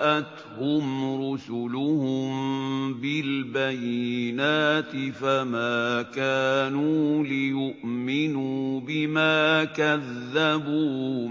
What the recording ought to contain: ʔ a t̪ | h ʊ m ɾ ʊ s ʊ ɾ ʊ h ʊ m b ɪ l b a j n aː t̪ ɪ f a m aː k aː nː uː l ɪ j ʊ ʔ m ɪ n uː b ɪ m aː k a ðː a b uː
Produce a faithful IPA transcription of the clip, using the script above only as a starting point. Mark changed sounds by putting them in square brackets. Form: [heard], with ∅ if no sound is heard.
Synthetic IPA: ʔ a t̪ | h ʊ m ɾ ʊ s ʊ [l] ʊ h ʊ m b ɪ l b a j n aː t̪ ɪ f a m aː k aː [n] uː l ɪ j ʊ ʔ m ɪ n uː b ɪ m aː k a ðː a b uː